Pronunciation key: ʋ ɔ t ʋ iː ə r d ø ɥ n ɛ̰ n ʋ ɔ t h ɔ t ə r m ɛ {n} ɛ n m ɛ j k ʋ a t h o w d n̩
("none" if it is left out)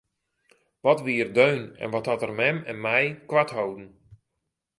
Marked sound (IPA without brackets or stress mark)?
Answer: m